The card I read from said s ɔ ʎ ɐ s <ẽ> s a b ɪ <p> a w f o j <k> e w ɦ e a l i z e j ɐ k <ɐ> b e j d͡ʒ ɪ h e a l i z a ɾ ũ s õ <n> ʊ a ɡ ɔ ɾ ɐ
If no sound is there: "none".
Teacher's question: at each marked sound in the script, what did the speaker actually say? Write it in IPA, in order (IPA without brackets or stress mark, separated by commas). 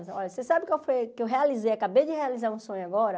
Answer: e, k, k, a, ɲ